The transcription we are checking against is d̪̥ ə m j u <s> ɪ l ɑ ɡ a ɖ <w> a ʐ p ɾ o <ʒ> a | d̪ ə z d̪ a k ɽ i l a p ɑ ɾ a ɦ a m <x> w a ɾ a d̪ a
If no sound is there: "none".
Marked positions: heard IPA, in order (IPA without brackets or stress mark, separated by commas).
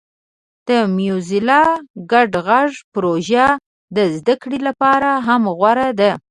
z, ɣ, ʒ, ɣ